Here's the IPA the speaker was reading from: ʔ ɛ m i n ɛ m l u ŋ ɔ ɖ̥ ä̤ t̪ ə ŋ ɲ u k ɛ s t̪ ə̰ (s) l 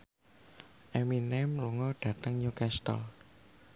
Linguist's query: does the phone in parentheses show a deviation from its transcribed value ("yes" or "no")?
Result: yes